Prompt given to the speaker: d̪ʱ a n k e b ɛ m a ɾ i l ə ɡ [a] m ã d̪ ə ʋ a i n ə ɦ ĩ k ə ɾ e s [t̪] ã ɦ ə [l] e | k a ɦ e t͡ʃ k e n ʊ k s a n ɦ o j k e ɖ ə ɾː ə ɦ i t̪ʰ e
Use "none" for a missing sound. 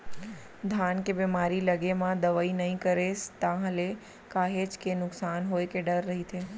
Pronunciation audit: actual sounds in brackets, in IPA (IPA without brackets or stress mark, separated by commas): e, t̪, l